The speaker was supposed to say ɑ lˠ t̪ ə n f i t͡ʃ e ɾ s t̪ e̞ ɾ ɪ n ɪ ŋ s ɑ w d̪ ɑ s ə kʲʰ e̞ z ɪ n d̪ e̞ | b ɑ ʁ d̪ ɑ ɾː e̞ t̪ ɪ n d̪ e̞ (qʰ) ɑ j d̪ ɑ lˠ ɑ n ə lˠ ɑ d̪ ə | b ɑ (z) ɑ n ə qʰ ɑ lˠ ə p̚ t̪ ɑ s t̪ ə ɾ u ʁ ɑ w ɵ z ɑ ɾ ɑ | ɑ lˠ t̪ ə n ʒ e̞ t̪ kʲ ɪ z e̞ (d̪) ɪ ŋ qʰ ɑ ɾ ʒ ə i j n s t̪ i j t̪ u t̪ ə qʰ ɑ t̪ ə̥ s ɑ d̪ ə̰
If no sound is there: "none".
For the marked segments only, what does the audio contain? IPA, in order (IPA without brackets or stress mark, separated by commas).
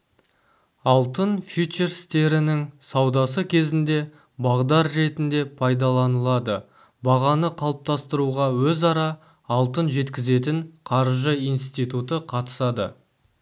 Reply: pʰ, ʁ, t̪